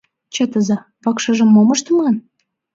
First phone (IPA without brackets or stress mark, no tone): t͡ɕ